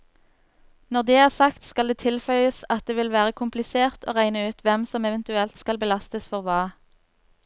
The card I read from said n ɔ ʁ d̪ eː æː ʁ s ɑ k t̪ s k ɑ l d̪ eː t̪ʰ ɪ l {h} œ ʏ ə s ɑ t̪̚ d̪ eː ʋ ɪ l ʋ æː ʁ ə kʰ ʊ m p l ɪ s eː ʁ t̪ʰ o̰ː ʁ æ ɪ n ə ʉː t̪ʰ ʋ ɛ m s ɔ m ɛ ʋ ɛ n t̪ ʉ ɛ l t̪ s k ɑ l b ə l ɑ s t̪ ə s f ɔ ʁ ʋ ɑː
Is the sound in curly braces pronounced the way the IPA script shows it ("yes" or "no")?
no